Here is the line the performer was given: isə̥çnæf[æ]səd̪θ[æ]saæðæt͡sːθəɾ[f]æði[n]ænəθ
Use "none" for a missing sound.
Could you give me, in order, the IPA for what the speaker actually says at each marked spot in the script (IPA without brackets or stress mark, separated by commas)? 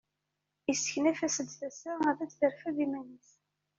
æ, æ, f, m